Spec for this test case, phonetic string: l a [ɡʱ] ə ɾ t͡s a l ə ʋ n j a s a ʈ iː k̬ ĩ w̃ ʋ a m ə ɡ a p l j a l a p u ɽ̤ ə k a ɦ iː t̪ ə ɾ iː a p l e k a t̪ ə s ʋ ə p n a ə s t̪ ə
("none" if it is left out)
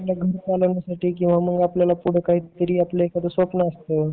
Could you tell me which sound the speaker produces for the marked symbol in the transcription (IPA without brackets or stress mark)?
ɡʱ